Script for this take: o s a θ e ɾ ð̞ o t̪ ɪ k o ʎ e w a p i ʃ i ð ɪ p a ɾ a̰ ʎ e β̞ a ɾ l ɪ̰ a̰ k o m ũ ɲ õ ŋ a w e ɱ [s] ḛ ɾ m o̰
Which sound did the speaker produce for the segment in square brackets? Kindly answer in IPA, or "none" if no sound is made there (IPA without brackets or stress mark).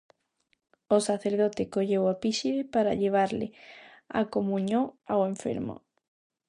f